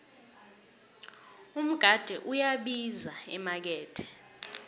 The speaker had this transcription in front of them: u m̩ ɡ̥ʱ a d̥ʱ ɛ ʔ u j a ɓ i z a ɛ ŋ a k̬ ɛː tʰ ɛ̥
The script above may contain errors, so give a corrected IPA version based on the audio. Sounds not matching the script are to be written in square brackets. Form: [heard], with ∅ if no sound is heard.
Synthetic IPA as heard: u m̩ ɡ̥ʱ a d̥ʱ ɛ ʔ u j a ɓ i z a ɛ [m] a k̬ ɛː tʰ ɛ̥